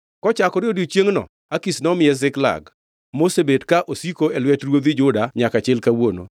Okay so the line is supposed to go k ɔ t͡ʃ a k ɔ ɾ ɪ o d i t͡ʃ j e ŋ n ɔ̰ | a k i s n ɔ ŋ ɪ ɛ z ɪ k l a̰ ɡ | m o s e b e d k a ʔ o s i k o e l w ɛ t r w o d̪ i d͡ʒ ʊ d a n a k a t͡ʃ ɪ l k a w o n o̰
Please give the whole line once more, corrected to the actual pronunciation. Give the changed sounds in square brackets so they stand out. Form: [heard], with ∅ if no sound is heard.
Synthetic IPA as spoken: k ɔ t͡ʃ a k ɔ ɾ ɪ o d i t͡ʃ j e ŋ n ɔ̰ | a k i s n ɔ [m] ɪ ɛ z ɪ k l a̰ ɡ | m o s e b e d k a ʔ o s i k o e l w ɛ t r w o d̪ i d͡ʒ ʊ d a [ɲ] a k a t͡ʃ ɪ l k a w o n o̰